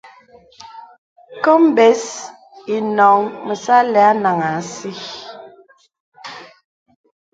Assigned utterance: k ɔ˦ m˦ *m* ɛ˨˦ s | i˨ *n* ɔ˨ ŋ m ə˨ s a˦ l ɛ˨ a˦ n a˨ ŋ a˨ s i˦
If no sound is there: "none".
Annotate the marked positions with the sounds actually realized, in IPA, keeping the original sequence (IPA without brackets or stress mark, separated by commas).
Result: b, n